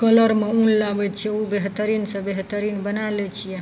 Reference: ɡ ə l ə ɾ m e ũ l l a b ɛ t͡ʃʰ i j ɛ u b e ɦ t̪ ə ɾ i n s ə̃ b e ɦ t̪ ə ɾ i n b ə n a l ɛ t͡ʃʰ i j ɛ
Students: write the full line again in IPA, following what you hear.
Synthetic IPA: k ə l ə ɾ m e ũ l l a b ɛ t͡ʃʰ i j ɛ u b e ɦ t̪ ə ɾ i n s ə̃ b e ɦ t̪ ə ɾ i n b ə n a l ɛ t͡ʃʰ i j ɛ